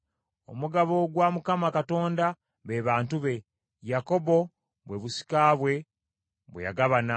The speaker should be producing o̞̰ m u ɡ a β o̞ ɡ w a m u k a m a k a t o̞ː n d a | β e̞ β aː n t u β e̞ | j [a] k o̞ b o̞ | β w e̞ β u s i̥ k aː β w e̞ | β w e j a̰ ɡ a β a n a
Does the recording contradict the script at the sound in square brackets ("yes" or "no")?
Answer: no